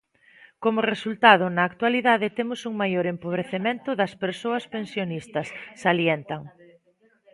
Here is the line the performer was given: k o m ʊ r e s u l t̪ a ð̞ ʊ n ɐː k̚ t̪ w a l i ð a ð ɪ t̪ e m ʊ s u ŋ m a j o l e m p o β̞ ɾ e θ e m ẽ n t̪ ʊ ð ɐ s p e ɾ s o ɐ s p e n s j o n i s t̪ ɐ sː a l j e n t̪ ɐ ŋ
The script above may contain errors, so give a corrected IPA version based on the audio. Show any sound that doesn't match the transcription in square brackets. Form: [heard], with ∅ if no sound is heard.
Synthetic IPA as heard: k o m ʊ r e s u l t̪ a ð̞ ʊ n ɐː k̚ t̪ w a l i ð a ð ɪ t̪ e m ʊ s u ŋ m a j o [ɾ] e m p o β̞ ɾ e θ e m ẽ n t̪ ʊ ð ɐ s p e ɾ s o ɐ s p e n s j o n i s t̪ ɐ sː a l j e n t̪ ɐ ŋ